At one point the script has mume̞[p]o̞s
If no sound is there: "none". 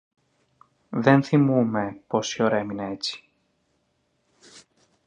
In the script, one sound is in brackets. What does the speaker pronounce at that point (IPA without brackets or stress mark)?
p